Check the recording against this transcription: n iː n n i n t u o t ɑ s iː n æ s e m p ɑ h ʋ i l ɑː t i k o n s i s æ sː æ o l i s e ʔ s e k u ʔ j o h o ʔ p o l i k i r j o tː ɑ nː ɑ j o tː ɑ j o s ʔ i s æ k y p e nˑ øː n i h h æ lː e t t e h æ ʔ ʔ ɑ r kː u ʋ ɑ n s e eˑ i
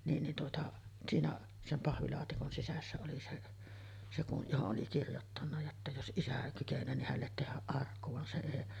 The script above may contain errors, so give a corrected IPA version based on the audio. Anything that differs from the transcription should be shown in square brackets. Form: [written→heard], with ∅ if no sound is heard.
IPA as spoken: n iː n n i n t u o t ɑ s iː n æ s e m p ɑ h ʋ i l ɑː t i k o n s i s æ sː æ o l i s e ʔ s e k u ʔ j o h o ʔ [p→ʔ] o l i k i r j o tː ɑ nː ɑ j o tː ɑ j o s ʔ i s æ k y [p→k] e nˑ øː n i h h æ lː e t t e h æ ʔ ʔ ɑ r kː u ʋ ɑ n s e eˑ i